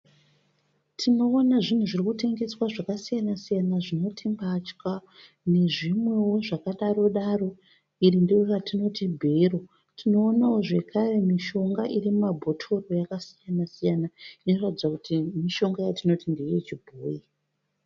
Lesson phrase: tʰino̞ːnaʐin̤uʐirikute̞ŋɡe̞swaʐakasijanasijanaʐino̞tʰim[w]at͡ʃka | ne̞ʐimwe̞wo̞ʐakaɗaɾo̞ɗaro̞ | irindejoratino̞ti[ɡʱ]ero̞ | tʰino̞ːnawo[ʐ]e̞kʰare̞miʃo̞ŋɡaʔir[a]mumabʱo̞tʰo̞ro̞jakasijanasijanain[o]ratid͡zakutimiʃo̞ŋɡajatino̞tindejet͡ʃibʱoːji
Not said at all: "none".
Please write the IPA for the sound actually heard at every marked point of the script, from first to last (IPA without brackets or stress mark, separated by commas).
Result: b, bʱ, ʐ, i, o